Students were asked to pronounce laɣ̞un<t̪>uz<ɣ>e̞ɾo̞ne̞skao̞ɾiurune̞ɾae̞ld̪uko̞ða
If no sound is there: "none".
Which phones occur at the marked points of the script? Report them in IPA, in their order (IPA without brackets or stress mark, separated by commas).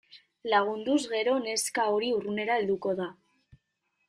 d̪, ɣ